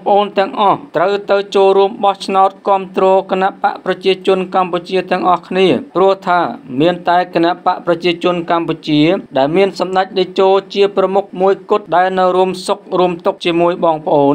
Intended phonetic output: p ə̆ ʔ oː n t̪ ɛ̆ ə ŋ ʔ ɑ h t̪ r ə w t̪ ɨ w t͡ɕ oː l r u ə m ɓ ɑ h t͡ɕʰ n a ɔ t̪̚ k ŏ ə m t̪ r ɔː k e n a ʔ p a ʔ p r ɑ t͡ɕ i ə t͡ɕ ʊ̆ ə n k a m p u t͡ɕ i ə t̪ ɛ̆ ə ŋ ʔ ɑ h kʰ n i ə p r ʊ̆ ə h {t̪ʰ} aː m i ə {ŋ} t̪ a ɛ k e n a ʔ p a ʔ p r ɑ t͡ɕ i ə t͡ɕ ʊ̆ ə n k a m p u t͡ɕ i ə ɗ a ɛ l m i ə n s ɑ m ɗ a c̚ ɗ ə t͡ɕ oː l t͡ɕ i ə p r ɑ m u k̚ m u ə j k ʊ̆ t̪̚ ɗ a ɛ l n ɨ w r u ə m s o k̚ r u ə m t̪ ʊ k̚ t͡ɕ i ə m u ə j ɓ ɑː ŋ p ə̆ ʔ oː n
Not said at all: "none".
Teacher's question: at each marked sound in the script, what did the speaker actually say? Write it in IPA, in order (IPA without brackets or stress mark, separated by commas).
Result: t̪ʰ, n